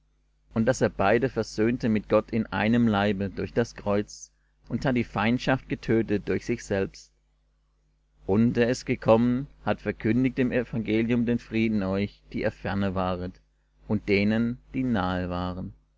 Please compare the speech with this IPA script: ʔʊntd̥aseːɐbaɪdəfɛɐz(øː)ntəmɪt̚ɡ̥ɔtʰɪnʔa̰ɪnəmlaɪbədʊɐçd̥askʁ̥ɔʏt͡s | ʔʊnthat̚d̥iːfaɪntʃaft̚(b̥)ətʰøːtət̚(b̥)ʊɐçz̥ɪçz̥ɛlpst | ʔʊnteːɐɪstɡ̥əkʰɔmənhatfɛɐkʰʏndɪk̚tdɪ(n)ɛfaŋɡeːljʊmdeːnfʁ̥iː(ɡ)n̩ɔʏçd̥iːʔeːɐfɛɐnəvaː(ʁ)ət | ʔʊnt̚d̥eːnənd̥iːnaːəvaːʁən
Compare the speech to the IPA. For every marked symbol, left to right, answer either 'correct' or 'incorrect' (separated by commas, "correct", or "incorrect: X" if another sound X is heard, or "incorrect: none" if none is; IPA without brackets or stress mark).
correct, incorrect: ɡ̥, incorrect: d̥, incorrect: m, incorrect: d, correct